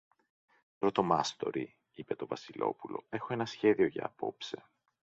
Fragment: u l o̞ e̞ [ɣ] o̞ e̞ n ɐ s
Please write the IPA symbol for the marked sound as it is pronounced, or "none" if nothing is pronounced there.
x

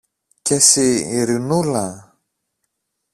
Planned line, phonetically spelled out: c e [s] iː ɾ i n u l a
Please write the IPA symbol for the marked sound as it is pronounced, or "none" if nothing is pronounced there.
s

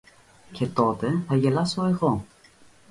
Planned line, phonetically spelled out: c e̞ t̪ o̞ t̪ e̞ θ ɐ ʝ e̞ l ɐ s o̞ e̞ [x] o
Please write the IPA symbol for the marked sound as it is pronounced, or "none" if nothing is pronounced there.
ɣ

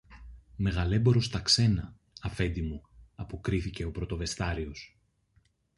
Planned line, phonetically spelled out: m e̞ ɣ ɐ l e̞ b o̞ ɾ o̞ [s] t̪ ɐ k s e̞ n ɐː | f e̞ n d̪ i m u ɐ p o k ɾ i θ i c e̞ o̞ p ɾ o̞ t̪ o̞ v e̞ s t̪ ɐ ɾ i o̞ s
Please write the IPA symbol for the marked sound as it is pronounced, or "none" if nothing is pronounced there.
s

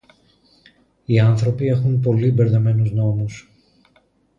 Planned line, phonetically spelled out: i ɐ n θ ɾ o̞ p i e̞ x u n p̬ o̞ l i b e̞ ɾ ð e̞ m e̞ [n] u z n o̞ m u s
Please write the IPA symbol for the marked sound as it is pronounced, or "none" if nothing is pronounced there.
n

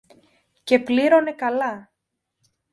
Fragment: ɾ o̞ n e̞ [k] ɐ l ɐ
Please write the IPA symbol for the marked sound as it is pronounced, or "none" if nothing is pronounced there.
k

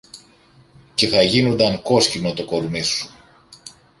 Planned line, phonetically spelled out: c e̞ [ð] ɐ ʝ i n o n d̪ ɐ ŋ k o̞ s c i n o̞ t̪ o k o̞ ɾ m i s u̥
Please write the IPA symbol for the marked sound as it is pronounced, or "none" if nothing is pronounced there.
θ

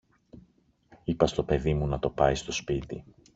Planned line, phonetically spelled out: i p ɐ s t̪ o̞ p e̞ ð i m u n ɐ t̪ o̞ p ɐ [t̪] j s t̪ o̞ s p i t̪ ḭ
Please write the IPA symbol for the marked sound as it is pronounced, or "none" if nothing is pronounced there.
none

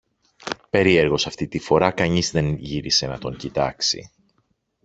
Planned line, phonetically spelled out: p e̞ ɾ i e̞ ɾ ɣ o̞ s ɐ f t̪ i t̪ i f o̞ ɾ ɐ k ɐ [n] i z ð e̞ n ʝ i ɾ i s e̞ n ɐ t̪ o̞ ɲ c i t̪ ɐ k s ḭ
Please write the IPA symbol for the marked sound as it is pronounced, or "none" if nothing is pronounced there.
ɲ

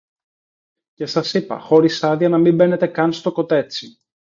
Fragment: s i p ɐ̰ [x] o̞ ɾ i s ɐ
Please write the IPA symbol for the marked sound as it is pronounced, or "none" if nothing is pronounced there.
x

